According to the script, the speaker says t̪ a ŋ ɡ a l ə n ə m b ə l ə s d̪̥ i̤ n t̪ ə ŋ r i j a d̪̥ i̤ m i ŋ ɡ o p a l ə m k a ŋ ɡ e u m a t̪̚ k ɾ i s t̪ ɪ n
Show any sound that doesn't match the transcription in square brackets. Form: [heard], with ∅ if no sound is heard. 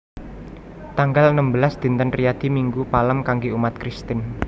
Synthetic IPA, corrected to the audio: t̪ a ŋ ɡ a l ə n ə m b ə l [a] s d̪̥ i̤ n t̪ ə [n] r i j a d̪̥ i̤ m i ŋ ɡ [u] p a l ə m k a ŋ ɡ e u m a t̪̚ k ɾ i s t̪ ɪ n